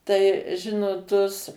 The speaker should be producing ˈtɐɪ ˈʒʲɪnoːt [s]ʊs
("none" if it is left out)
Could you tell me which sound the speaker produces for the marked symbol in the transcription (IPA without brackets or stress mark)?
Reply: t